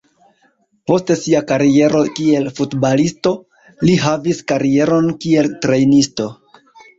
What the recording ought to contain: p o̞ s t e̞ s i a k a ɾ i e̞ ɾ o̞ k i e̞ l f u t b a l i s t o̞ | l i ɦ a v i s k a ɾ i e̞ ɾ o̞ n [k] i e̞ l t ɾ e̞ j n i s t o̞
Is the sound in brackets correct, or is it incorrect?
correct